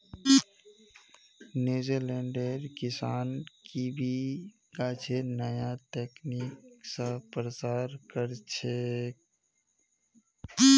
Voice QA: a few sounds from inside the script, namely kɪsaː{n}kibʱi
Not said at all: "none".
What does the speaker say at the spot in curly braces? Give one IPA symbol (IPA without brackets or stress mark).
n